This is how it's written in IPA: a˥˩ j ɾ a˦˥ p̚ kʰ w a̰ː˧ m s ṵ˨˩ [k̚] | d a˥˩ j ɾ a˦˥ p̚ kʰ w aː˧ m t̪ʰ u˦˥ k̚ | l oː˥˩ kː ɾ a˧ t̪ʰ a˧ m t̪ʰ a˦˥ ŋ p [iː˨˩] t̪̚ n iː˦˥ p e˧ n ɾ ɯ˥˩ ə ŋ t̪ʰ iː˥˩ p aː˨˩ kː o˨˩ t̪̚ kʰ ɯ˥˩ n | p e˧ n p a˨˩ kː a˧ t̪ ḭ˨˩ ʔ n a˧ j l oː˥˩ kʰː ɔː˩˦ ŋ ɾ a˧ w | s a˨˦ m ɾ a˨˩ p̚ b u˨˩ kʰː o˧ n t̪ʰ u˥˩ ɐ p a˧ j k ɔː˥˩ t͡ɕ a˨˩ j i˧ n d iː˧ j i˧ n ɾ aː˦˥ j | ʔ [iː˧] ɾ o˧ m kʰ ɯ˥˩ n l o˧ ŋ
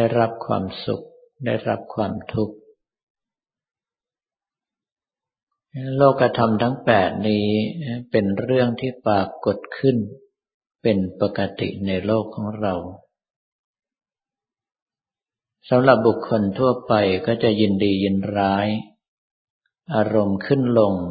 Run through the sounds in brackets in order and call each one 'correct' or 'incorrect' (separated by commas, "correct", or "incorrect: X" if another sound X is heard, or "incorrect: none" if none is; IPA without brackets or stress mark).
correct, incorrect: ɛː˨˩, incorrect: aː˧